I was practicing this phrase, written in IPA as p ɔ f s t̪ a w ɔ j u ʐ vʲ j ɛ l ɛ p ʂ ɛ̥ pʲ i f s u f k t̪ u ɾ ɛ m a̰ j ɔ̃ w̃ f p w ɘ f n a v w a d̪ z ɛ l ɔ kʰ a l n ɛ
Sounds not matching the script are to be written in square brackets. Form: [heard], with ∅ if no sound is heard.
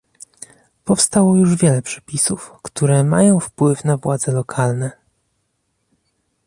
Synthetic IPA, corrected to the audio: p ɔ f s t̪ a w ɔ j u ʐ vʲ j ɛ l ɛ p ʂ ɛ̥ pʲ i [∅] s u f k t̪ u ɾ ɛ m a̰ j ɔ̃ w̃ f p w ɘ f n a v w a d̪ z ɛ l ɔ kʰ a l n ɛ